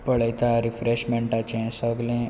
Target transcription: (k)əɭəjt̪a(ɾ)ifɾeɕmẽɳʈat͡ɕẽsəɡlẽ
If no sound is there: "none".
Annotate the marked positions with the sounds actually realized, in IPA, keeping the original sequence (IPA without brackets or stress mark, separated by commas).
p, ɾ